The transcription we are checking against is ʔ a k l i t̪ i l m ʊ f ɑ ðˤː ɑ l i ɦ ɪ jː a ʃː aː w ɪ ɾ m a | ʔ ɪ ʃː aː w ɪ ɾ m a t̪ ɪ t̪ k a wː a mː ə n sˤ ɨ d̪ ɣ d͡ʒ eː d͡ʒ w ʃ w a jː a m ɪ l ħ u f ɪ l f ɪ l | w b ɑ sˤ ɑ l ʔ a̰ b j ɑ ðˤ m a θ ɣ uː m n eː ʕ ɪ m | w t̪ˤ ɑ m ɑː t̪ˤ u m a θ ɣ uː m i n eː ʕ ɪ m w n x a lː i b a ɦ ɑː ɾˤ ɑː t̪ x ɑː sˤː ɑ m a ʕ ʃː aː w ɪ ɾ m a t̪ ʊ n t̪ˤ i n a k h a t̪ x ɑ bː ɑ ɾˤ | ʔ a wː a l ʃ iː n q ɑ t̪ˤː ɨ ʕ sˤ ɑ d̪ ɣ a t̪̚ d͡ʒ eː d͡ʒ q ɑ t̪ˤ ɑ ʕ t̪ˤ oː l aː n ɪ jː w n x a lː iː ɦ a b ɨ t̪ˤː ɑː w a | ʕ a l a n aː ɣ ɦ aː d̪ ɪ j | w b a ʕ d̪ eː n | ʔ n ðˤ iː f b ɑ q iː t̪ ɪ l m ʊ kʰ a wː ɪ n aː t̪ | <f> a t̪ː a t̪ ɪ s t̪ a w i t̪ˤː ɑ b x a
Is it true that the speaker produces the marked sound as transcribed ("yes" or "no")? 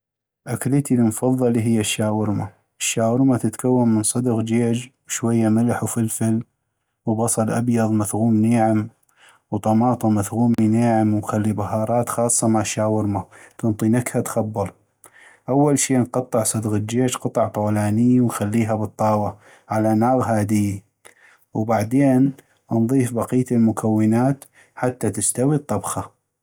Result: no